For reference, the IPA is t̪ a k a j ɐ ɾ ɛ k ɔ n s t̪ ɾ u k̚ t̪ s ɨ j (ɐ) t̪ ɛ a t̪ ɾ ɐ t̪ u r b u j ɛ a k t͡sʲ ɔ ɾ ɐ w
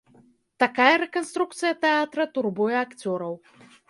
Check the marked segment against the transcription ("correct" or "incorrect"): correct